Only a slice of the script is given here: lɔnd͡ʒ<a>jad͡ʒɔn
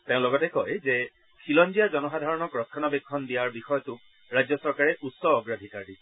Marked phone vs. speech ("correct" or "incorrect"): incorrect